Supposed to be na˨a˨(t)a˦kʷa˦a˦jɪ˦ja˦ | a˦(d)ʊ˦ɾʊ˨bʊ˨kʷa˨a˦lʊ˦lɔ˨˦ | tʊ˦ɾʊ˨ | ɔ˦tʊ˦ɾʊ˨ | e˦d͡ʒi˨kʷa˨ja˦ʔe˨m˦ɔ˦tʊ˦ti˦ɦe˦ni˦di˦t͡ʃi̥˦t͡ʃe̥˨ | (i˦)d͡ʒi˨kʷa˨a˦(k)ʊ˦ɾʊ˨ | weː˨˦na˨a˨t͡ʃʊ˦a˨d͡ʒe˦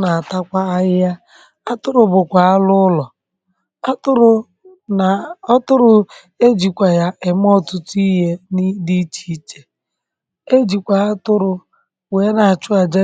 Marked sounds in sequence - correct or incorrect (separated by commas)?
correct, incorrect, incorrect, incorrect